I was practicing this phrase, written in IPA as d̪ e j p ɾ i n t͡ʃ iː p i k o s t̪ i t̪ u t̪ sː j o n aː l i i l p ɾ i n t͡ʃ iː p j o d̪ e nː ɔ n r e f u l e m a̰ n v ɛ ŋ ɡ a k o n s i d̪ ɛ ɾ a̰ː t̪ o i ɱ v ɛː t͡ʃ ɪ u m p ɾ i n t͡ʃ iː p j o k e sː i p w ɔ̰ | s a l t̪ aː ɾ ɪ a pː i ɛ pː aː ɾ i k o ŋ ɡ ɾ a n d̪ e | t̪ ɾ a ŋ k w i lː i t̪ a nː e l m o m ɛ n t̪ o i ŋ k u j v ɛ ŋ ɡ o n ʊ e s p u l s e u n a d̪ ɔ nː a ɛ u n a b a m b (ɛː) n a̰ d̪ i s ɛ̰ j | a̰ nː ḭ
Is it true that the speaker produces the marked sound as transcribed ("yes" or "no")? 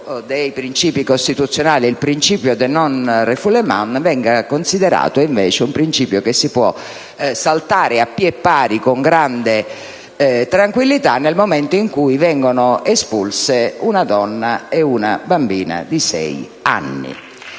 no